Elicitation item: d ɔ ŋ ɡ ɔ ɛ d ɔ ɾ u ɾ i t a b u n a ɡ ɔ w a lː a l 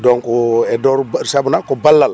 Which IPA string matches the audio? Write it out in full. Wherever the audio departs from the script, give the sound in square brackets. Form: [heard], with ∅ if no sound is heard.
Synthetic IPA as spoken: d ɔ ŋ [k] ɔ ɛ d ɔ ɾ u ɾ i [s] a b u n a [k] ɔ [b] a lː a l